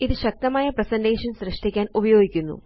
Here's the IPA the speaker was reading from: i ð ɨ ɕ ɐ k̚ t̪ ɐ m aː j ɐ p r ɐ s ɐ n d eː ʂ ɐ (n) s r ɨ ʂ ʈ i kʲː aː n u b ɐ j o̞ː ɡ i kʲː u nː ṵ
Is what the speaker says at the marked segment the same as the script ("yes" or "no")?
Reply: yes